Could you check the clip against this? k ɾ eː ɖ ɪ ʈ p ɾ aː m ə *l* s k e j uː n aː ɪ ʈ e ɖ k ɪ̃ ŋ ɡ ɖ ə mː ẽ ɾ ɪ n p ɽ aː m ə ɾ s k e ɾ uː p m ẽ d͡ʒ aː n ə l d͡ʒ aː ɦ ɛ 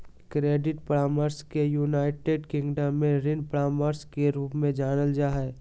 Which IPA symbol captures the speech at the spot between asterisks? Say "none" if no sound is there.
ɾ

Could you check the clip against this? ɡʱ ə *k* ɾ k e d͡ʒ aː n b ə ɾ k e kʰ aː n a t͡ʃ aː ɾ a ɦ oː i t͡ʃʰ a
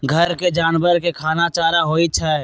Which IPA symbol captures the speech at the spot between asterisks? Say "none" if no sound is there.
none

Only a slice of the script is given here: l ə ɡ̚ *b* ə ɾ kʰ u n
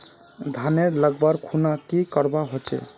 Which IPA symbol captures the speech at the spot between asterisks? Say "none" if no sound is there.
b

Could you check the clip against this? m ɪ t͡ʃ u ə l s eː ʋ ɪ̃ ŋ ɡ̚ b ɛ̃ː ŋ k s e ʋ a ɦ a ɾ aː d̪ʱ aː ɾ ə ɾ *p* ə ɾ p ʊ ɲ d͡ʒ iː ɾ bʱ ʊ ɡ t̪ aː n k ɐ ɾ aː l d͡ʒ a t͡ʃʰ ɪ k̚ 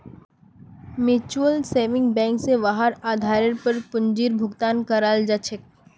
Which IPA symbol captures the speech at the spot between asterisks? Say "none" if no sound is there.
p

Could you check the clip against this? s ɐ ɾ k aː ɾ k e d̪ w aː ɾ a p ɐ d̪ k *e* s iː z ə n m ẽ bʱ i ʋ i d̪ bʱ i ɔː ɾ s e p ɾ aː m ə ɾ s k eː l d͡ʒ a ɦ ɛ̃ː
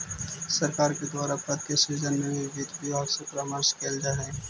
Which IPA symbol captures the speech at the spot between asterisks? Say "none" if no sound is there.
e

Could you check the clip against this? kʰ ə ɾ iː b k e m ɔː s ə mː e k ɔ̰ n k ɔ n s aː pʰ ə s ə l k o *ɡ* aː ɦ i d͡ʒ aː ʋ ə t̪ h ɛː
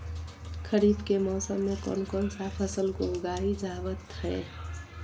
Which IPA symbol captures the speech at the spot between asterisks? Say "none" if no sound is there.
ɡ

